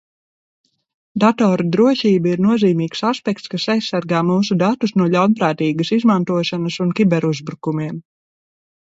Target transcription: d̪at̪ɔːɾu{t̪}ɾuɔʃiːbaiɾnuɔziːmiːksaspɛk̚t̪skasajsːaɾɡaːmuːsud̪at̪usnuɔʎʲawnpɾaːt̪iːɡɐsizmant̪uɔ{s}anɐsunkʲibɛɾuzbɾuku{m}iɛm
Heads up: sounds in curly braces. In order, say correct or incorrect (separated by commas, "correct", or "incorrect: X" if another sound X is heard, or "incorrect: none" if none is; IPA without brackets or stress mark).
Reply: incorrect: d̪, incorrect: ʃ, correct